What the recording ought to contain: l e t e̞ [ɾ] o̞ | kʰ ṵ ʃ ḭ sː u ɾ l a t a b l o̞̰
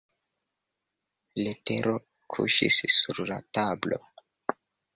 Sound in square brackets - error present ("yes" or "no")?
no